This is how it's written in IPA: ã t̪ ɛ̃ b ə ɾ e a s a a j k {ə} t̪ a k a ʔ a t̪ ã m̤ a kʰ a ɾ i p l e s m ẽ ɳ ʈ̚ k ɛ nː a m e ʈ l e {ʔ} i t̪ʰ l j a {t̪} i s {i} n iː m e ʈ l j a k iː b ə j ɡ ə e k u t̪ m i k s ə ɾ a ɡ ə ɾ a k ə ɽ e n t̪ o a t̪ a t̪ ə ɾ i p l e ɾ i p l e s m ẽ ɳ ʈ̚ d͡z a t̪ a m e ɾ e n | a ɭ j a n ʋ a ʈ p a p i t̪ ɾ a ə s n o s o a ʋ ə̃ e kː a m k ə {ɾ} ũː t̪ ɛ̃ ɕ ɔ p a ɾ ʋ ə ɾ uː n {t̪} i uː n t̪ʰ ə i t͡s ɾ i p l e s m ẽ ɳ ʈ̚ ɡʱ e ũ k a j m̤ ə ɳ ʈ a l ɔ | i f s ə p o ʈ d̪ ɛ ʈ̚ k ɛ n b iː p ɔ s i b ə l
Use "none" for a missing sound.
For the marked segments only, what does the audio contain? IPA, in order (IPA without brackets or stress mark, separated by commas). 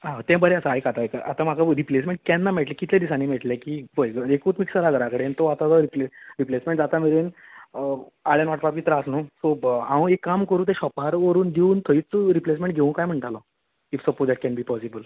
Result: a, k, d̪, a, ɾ, d̪